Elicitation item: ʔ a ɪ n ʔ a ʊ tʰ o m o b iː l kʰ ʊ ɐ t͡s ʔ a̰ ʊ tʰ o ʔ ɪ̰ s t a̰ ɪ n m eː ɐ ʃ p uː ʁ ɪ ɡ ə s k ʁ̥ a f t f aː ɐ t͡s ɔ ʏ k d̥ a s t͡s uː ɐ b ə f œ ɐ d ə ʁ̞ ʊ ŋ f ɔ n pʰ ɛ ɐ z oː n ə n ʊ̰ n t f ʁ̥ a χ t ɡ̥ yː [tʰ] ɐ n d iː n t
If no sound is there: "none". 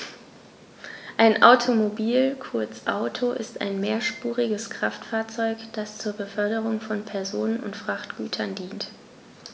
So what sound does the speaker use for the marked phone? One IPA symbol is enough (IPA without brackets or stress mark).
tʰ